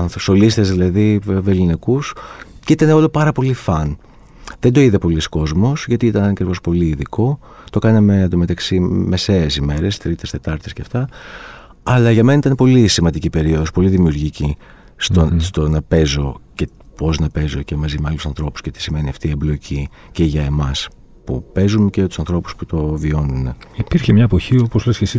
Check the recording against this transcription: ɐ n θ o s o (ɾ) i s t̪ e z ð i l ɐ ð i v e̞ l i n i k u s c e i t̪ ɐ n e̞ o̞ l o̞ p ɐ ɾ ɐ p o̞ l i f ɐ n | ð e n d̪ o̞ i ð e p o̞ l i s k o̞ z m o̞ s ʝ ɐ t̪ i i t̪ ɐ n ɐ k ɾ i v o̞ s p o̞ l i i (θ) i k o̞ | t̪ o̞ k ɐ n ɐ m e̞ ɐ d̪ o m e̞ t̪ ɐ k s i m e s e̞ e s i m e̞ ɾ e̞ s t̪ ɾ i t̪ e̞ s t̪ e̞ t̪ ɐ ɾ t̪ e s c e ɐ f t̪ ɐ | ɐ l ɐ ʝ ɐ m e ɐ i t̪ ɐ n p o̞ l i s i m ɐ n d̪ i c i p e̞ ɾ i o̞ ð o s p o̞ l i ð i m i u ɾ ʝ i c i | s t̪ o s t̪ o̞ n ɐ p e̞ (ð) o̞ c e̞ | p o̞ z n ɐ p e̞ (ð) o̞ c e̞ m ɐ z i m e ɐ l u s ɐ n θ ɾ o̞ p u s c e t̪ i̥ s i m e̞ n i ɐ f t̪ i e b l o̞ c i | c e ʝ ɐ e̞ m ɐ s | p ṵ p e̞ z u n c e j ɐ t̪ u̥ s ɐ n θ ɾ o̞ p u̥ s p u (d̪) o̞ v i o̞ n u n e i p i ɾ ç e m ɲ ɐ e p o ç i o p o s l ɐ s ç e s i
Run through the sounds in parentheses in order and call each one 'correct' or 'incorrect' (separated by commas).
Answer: incorrect, incorrect, incorrect, incorrect, incorrect